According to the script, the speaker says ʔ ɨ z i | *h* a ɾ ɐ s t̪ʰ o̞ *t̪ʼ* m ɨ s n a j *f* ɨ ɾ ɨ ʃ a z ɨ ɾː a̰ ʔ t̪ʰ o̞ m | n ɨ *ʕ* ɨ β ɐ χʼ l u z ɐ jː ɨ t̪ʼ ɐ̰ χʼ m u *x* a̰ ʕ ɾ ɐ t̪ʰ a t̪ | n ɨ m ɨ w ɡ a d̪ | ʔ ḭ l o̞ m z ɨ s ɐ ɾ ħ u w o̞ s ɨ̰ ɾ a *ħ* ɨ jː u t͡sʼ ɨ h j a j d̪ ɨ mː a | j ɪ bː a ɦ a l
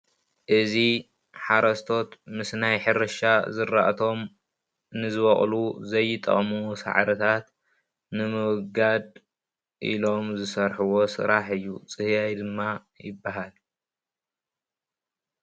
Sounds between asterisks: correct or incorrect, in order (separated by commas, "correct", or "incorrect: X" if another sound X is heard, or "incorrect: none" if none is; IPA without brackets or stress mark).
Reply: incorrect: ħ, incorrect: t̪, incorrect: ħ, incorrect: z, incorrect: s, correct